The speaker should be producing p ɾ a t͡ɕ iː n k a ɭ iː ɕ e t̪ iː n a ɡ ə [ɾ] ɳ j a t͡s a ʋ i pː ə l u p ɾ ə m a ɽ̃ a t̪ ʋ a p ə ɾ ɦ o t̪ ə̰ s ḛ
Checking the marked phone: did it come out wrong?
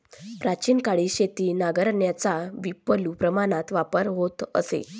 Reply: no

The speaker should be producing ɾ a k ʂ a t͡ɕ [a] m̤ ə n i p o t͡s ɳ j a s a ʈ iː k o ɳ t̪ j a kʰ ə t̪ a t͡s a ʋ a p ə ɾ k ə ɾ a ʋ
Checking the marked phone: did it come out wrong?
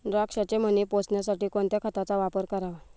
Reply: yes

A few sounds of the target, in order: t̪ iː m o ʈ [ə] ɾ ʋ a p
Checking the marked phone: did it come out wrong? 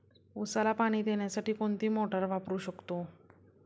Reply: no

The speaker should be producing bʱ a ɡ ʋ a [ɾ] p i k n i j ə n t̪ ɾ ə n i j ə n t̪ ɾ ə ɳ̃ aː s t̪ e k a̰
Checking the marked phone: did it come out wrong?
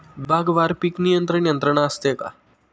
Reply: no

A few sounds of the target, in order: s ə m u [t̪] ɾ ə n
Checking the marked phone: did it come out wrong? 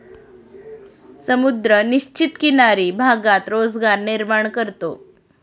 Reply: yes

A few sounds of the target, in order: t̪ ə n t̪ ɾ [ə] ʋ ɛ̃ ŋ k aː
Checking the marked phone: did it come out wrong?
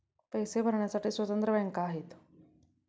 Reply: no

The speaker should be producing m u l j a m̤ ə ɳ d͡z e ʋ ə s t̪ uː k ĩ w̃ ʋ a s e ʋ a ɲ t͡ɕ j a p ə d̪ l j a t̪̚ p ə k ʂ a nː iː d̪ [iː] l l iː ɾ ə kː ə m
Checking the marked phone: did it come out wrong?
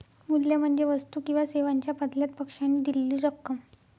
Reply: yes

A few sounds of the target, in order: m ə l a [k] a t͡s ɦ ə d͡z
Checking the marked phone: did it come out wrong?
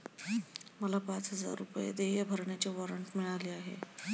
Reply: yes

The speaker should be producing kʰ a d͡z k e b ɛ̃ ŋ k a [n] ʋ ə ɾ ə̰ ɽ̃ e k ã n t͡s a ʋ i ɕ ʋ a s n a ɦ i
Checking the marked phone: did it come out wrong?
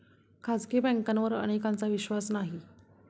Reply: no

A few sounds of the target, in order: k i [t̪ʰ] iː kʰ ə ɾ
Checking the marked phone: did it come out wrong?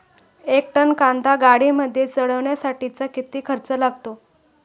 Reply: yes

